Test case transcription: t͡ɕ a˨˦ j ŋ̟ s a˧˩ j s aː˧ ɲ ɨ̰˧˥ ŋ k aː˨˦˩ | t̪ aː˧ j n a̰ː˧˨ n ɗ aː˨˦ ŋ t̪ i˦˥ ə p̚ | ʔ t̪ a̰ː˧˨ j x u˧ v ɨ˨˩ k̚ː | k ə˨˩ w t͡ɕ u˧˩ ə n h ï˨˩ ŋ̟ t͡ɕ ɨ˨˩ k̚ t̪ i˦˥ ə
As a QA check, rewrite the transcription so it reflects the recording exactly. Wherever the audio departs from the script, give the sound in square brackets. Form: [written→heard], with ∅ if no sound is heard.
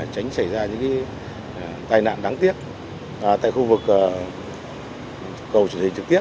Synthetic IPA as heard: t͡ɕ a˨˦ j ŋ̟ s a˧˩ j [s→z] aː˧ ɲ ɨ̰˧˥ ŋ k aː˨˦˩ | t̪ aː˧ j n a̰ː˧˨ n ɗ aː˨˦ ŋ t̪ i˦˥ ə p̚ | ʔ t̪ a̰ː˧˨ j x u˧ v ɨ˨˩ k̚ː | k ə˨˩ w t͡ɕ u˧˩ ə n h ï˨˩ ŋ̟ t͡ɕ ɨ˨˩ k̚ t̪ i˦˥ ə